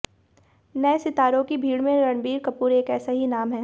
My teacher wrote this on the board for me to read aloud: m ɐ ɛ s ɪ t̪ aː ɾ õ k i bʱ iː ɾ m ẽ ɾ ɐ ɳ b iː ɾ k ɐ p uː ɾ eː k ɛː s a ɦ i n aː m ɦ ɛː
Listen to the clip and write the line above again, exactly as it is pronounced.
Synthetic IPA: n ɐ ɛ s ɪ t̪ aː ɾ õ k i bʱ iː ɽ m ẽ ɾ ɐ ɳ b iː ɾ k ɐ p uː ɾ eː k ɛː s a ɦ i n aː m ɦ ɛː

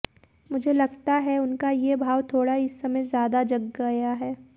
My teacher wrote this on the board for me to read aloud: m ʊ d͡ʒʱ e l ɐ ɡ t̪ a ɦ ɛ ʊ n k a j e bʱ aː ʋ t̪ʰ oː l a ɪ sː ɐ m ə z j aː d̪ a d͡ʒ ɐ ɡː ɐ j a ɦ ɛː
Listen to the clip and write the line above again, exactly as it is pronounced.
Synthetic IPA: m ʊ d͡ʒʱ e l ɐ ɡ t̪ a ɦ ɛ ʊ n k a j e bʱ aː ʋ t̪ʰ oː ɽ a ɪ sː ɐ m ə z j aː d̪ a d͡ʒ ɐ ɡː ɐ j a ɦ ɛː

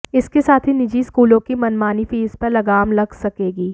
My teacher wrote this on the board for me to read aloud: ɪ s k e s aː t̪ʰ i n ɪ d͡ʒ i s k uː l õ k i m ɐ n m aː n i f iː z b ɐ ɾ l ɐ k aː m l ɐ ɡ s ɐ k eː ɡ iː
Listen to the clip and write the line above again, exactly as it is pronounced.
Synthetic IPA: ɪ s k e s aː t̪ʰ i n ɪ d͡ʒ i s k uː l õ k i m ɐ n m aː n i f iː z p ɐ ɾ l ɐ ɡ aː m l ɐ ɡ s ɐ k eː ɡ iː

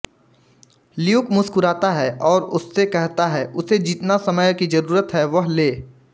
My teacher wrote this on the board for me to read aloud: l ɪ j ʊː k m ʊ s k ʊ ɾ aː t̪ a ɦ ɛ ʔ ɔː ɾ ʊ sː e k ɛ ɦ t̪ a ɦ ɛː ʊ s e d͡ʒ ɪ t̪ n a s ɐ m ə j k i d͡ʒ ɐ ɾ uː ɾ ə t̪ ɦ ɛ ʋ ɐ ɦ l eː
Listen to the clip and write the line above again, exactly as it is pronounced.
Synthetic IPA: l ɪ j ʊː k m ʊ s k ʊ ɾ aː t̪ a ɦ ɛ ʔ ɔː ɾ ʊ sː e k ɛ ɦ t̪ a ɦ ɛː ʊ s e d͡ʒ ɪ t̪ n a s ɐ m ə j k i d͡ʒ ɐ ɾ uː ɾ ə t̪ ɦ ɛ ʋ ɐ ɦ l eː

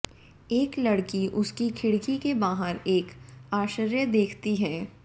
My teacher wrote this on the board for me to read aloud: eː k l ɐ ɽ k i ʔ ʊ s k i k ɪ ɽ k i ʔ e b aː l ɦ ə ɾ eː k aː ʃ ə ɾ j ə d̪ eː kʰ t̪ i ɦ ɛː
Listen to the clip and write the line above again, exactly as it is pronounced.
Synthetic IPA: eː k l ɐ ɽ k i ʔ ʊ s k i kʰ ɪ ɽ k i k e b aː ɦ ə ɾ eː k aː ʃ ə ɾ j ə d̪ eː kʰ t̪ i ɦ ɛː

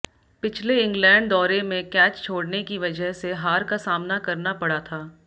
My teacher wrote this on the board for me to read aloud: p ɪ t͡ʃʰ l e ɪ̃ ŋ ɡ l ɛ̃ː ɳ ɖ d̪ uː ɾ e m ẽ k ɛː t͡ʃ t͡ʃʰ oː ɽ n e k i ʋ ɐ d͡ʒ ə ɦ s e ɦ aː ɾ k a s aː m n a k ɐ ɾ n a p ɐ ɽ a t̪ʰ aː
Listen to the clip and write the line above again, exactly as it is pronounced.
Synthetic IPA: p ɪ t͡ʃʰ l e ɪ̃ ŋ ɡ l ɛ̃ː ɳ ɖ d̪ ɔː ɾ e m ẽ k ɛː t͡ʃ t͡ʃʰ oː ɽ n e k i ʋ ɐ d͡ʒ ə ɦ s e ɦ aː ɾ k a s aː m n a k ɐ ɾ n a p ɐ ɽ a t̪ʰ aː

